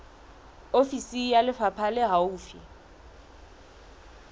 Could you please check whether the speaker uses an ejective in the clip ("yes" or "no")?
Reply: no